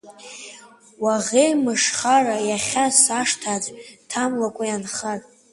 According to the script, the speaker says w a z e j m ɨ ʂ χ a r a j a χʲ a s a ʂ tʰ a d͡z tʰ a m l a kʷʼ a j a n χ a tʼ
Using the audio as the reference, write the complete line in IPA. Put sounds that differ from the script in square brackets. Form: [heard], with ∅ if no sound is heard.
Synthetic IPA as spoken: w a [ʁ] e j m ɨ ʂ χ a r a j a χʲ a s a ʂ tʰ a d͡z tʰ a m l a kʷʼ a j a n χ a tʼ